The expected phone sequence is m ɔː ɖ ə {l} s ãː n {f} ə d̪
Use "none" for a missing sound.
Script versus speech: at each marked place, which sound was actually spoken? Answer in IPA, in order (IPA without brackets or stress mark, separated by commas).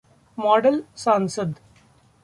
l, s